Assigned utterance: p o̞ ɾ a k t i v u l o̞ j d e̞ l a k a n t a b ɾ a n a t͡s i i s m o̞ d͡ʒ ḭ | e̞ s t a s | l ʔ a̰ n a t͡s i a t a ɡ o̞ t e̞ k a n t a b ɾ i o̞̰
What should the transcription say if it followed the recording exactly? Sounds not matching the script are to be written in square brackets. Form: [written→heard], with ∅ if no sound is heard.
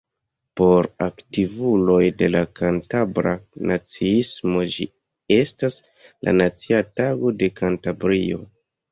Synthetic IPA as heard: p o̞ ɾ a k t i v u l o̞ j d e̞ l a k a n t a b ɾ a n a t͡s i i s m o̞ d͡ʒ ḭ | e̞ s t a s | l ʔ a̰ n a t͡s i a t a ɡ o̞ [t→d] e̞ k a n t a b ɾ i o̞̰